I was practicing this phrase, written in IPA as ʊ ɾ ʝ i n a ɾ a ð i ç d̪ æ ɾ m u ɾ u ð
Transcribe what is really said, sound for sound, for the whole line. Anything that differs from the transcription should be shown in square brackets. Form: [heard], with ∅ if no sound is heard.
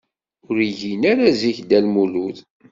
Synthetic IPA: ʊ ɾ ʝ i n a ɾ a [z] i ç d̪ æ [l] m u [l] u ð